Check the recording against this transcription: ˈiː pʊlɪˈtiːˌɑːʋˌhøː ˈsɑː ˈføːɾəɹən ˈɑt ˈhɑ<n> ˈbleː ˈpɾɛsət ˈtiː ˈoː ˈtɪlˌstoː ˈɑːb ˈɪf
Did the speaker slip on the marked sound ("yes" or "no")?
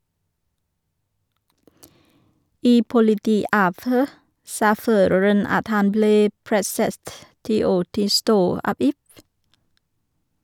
no